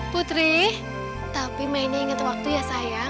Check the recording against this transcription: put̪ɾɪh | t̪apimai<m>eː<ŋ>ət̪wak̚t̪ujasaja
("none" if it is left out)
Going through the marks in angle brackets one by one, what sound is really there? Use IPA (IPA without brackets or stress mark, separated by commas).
n, ŋ